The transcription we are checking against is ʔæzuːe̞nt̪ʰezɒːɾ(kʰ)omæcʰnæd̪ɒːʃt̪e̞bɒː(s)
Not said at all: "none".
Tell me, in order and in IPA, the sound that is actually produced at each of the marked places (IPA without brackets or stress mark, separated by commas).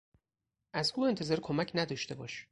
kʰ, ʃ